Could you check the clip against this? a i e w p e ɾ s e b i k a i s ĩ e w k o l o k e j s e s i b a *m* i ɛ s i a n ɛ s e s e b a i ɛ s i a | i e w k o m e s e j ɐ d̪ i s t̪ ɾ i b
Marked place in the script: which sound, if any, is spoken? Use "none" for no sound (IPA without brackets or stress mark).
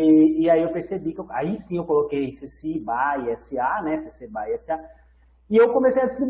none